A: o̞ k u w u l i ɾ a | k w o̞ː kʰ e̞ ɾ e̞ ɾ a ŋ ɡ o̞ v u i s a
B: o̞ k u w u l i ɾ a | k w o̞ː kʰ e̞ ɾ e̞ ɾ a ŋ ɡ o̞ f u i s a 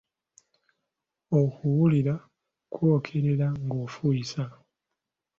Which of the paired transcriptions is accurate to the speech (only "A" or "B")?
B